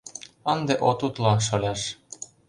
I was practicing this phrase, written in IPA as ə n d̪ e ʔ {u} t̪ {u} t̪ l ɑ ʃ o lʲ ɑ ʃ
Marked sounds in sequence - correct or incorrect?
incorrect: o, correct

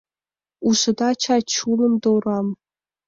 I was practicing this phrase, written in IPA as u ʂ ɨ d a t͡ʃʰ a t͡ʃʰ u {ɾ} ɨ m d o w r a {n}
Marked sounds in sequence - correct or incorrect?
incorrect: l, incorrect: m

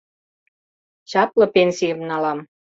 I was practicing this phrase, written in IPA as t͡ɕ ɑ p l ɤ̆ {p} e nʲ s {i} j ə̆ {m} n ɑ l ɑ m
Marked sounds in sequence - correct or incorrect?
correct, correct, correct

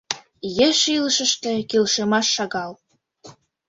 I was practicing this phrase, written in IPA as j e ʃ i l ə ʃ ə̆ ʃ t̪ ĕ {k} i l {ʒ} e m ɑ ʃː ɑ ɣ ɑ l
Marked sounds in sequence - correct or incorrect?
correct, incorrect: ʃ

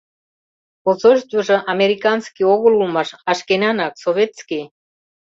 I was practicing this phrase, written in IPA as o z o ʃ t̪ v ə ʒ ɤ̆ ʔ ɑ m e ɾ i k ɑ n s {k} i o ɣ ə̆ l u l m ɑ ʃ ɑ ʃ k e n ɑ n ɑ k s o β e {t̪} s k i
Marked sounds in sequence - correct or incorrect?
correct, correct

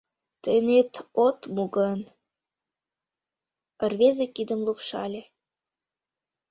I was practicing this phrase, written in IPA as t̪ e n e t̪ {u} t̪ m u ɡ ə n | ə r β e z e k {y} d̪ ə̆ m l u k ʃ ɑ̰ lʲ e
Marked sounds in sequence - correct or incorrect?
incorrect: o, incorrect: i

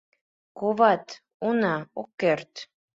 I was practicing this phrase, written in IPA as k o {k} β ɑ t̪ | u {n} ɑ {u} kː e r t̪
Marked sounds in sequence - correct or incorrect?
incorrect: none, correct, incorrect: o

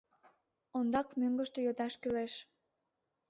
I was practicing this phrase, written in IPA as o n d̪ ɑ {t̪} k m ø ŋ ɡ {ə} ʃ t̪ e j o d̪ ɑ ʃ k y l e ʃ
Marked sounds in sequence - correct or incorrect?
incorrect: none, correct

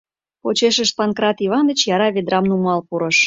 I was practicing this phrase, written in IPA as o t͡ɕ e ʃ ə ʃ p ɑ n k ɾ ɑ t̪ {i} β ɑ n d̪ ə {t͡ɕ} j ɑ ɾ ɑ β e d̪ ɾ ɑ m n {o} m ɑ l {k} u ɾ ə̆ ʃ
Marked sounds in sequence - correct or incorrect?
correct, correct, incorrect: u, incorrect: p

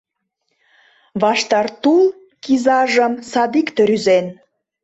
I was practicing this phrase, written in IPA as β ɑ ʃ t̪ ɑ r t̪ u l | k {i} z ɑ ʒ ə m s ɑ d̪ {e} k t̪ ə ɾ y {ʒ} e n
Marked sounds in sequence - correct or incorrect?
correct, incorrect: i, incorrect: z

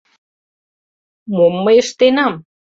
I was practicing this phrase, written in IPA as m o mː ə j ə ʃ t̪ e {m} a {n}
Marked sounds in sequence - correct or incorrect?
incorrect: n, incorrect: m

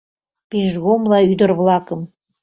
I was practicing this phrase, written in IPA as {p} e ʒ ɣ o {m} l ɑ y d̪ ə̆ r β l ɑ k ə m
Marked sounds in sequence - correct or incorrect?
correct, correct

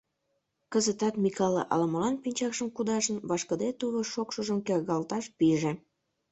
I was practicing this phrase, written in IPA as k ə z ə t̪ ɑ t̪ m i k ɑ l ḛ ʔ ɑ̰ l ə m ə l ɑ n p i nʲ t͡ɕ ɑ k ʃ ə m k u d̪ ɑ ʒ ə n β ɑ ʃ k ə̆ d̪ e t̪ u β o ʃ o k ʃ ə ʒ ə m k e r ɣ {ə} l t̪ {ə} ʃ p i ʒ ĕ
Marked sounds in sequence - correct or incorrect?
incorrect: ɑ, incorrect: ɑ

